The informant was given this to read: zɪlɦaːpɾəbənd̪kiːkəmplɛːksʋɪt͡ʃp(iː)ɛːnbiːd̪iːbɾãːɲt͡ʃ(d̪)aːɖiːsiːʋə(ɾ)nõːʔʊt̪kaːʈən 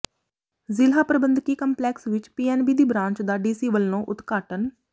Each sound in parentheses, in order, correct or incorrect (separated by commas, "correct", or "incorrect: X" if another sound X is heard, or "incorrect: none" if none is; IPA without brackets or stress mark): correct, correct, incorrect: l